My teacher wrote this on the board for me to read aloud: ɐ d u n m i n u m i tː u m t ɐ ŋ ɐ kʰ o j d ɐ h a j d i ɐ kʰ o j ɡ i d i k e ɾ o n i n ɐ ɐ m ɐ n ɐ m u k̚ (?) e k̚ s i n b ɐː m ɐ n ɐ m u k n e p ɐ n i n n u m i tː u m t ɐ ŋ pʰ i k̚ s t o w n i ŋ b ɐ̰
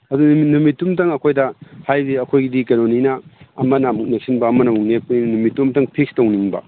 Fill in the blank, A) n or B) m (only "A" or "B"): A